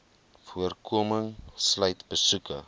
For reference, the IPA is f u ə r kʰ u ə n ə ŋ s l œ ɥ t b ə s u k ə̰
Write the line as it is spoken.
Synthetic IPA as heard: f u ə r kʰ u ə m ə ŋ s l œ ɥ t b ə s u k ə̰

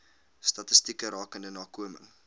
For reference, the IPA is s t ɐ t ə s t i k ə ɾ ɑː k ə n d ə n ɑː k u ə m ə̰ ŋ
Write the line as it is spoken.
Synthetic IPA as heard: s t ɐ t ə s t i k ə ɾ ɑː k ə n d ə n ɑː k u ə m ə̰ ŋ

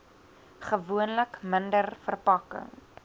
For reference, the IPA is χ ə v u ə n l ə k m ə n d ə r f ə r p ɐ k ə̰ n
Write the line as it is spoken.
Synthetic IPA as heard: χ ə v u ə n l ə k m ə n d ə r f ə r p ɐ k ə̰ ŋ

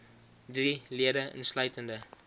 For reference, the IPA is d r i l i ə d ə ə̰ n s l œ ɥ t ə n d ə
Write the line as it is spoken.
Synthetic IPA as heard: d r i l i ə d ə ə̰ n s l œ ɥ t ə n d ə

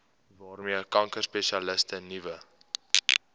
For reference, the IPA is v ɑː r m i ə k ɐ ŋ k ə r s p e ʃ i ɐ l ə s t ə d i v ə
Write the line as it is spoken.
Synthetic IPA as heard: v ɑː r m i ə k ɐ ŋ k ə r s p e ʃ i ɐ l ə s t ə n i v ə

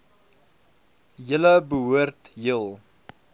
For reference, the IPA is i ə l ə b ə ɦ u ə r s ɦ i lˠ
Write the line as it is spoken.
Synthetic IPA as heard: j ə l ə b ə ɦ u ə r t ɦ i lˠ

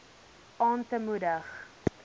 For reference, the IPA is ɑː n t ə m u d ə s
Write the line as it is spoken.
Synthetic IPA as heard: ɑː n t ə m u d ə χ

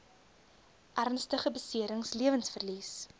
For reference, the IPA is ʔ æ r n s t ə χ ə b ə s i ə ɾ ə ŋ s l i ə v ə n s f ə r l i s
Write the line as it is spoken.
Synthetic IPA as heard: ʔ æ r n s t ə χ ə b ə s i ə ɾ ə ŋ s l i ə v ə n s f ə r l i s

